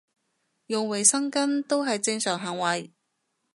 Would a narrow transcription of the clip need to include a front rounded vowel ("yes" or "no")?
yes